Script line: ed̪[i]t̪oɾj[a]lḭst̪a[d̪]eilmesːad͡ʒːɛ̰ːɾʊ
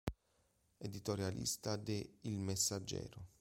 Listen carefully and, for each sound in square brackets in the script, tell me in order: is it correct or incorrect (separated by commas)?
correct, correct, correct